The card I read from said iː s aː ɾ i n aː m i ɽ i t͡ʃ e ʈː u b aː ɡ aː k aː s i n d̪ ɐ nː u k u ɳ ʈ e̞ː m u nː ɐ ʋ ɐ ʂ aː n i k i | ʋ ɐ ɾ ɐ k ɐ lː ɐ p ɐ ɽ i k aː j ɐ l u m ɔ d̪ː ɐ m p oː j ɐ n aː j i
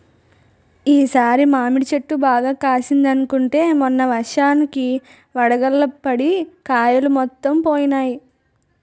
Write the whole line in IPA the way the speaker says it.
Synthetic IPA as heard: iː s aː ɾ i m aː m i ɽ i t͡ʃ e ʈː u b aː ɡ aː k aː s i n d̪ ɐ n u k u ɳ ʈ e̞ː m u nː ɐ ʋ ɐ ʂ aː n i k i | ʋ ɐ ɽ ɐ ɡ ɐ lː ɐ p ɐ ɽ i k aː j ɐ l u m ɔ t̪ː ɐ m p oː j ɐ n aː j i